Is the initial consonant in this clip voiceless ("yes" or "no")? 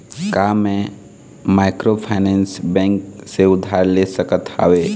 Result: yes